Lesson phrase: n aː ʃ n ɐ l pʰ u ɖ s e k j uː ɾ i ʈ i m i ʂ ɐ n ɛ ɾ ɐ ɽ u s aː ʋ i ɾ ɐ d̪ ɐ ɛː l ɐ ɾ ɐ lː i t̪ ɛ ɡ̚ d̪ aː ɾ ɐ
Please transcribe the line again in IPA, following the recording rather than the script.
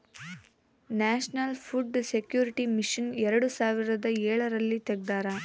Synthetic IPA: n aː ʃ n ɐ l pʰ u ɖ s e k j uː ɾ i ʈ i m i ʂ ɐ n ɛ ɾ ɐ ɽ u s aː ʋ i ɾ ɐ d̪ ɐ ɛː ɭ ɐ ɾ ɐ lː i t̪ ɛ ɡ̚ d̪ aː ɾ ɐ